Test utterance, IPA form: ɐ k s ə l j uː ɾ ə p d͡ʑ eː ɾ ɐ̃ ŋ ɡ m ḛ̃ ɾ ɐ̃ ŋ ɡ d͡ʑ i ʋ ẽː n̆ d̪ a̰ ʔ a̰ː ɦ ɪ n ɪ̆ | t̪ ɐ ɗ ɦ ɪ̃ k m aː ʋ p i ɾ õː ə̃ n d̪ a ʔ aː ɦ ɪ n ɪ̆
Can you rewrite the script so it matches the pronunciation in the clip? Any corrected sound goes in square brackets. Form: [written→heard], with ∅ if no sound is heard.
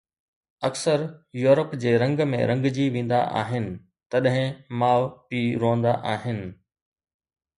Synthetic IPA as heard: ɐ k s ə [l→ɾ] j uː ɾ ə p d͡ʑ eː ɾ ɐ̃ ŋ ɡ m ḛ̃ ɾ ɐ̃ ŋ ɡ d͡ʑ i ʋ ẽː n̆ d̪ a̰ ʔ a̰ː ɦ ɪ n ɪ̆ | t̪ ɐ ɗ ɦ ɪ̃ [k→∅] m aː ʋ p i ɾ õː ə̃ n d̪ a ʔ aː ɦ ɪ n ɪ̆